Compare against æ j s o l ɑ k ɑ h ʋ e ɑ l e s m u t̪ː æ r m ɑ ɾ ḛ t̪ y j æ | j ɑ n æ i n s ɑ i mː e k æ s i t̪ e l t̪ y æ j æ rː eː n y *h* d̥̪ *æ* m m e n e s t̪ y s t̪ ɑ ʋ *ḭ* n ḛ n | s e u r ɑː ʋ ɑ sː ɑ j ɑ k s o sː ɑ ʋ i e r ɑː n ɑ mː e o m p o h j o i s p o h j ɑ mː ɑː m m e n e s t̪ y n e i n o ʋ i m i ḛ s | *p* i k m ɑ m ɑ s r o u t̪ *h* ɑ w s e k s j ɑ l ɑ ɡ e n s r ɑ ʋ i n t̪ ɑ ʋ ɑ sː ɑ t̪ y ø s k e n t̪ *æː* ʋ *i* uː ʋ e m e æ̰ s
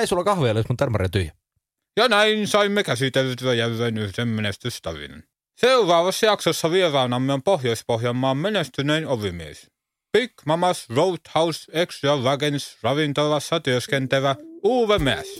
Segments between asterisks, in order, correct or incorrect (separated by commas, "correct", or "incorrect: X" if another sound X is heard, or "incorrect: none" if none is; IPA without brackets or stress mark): correct, incorrect: e, correct, correct, correct, incorrect: æ, incorrect: æ